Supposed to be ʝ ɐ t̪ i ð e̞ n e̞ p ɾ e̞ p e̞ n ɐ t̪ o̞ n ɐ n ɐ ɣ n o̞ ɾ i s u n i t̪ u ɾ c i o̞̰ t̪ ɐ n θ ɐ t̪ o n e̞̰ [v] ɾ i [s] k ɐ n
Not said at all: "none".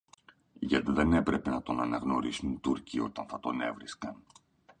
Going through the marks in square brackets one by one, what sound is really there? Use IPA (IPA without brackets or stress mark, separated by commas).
v, s